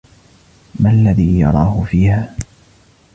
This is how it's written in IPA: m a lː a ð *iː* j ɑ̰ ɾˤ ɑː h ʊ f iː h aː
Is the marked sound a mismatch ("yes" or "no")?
no